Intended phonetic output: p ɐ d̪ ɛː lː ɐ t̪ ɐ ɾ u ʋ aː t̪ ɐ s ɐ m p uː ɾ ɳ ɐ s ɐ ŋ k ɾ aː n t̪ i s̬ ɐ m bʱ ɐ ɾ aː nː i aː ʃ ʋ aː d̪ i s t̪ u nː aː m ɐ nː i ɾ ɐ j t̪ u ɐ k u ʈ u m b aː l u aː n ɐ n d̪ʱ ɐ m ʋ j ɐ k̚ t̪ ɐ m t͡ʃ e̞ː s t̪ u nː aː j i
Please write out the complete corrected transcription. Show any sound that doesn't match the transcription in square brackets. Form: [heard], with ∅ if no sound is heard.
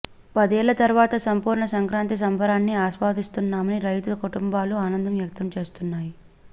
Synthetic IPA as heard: p ɐ d̪ ɛː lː ɐ t̪ ɐ ɾ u ʋ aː t̪ ɐ s ɐ m p uː ɾ ɳ ɐ s ɐ ŋ k ɾ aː n t̪ i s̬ ɐ m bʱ ɐ ɾ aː nː i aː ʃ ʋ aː d̪ i s t̪ u nː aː m ɐ [n] i ɾ ɐ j t̪ u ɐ k u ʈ u m b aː l u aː n ɐ n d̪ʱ ɐ m ʋ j ɐ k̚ t̪ ɐ m t͡ʃ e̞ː s t̪ u nː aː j i